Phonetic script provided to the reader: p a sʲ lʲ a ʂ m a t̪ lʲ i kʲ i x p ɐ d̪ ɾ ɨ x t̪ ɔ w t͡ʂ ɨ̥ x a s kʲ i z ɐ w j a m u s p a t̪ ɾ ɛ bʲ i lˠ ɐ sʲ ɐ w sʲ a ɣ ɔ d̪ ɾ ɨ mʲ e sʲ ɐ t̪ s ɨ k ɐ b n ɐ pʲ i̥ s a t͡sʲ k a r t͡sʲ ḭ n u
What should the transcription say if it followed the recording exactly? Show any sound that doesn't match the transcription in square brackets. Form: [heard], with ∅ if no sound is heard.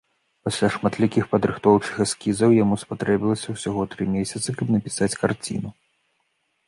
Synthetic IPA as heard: p a sʲ lʲ a ʂ m a t̪ lʲ i kʲ i x p ɐ d̪ ɾ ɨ x t̪ ɔ w t͡ʂ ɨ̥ x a s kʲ i z ɐ w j a m u s p a t̪ ɾ ɛ bʲ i lˠ ɐ sʲ ɐ w sʲ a ɣ ɔ [t̪] ɾ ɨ mʲ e sʲ ɐ t̪ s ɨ k ɐ b n ɐ pʲ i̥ s a t͡sʲ k a r t͡sʲ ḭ n u